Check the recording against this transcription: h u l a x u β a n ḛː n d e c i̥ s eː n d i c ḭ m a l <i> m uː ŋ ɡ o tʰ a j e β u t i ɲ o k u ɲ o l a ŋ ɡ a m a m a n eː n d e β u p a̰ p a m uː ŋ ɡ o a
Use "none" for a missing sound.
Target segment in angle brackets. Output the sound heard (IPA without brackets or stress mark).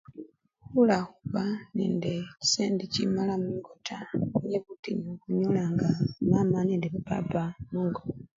a